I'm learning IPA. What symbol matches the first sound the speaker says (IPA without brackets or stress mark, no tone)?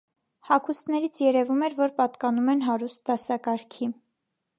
h